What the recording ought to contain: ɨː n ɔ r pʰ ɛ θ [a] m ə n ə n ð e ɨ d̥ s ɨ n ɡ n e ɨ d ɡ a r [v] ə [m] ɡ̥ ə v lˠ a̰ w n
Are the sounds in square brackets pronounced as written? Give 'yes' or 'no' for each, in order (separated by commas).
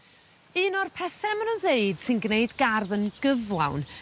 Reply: no, no, no